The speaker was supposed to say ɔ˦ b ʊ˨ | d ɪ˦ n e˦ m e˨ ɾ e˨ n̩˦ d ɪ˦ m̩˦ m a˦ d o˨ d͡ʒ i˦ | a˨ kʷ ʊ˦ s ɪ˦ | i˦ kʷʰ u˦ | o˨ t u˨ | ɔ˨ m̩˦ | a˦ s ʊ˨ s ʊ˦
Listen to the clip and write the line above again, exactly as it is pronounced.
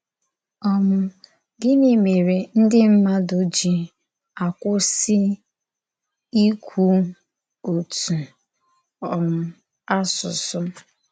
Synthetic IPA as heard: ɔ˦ m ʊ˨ | ɡ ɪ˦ n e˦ m e˨ ɾ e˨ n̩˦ d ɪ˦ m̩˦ m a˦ d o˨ d͡ʒ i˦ | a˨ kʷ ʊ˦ s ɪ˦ | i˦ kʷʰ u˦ | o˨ t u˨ | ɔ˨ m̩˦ | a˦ s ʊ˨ s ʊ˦